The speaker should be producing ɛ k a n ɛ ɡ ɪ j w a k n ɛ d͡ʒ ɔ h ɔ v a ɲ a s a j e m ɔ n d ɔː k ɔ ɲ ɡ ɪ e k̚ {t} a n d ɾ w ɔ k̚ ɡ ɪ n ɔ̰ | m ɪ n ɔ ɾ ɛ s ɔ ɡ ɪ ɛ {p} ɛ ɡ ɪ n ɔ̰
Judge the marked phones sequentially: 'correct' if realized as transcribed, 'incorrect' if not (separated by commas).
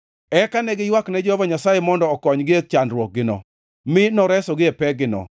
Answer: incorrect, correct